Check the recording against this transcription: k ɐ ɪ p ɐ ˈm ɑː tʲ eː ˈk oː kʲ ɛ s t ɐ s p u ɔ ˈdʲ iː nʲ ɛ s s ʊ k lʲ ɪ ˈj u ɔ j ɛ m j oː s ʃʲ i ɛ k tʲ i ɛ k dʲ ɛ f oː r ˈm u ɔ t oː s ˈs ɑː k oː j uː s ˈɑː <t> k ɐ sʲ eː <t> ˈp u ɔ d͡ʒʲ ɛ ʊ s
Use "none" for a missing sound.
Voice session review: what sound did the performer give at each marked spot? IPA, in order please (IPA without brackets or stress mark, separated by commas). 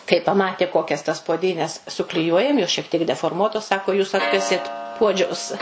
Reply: t, t